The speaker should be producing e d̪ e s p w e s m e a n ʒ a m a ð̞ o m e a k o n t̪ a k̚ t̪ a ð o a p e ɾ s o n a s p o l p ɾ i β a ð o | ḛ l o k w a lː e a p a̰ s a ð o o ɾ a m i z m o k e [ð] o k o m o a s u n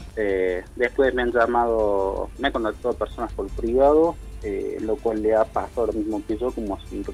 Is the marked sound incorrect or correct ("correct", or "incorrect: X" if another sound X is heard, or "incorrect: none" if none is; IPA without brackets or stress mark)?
incorrect: ʒ